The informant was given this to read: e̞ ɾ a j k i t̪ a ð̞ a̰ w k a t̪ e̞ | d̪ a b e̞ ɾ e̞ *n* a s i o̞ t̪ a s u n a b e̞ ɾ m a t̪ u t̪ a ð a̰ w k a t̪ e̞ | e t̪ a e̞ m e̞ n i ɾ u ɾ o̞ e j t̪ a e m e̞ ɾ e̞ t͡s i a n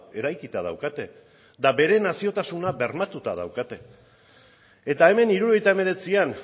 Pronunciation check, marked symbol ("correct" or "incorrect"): correct